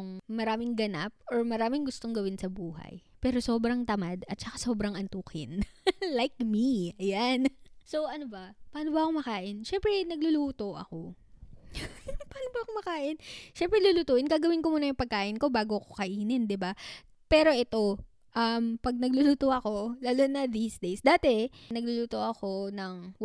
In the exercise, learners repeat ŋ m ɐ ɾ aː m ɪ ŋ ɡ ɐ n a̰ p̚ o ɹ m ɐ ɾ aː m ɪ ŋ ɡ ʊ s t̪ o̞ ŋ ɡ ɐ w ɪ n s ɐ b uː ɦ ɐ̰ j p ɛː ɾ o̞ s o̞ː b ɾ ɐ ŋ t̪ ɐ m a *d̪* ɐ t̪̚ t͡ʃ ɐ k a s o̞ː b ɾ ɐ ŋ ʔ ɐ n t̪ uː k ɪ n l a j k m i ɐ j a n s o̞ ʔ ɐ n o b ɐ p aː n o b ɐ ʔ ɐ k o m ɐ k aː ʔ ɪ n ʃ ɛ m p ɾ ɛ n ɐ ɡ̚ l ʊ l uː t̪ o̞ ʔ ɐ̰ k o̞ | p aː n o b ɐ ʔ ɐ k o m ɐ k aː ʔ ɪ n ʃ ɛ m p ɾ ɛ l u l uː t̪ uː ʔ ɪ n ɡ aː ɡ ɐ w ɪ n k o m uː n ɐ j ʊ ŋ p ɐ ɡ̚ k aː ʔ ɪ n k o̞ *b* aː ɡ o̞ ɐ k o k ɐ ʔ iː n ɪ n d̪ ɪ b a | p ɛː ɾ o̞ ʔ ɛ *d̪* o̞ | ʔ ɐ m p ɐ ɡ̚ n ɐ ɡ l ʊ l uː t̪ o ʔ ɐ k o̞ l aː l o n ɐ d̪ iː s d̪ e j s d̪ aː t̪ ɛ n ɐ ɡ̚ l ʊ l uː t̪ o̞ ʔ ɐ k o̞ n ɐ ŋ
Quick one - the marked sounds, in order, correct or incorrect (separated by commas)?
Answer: correct, correct, incorrect